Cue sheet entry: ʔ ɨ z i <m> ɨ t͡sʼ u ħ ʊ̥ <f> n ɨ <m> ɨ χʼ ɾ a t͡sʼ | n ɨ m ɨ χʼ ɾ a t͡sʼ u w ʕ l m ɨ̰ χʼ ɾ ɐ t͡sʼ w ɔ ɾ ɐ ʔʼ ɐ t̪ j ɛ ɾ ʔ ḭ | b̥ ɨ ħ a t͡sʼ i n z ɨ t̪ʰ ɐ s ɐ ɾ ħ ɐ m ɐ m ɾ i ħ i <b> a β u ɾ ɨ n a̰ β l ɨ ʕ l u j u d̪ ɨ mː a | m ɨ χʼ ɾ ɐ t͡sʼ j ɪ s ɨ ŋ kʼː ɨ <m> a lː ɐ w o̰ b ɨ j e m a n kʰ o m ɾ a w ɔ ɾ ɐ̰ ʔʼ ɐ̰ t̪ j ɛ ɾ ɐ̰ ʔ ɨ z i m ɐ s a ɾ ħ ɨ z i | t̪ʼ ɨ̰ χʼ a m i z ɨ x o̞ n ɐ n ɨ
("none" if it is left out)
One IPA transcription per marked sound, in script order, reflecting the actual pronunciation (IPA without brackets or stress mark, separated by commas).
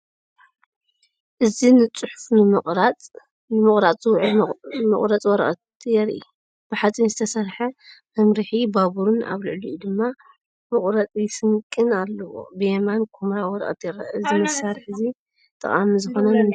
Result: n, f, m, b, n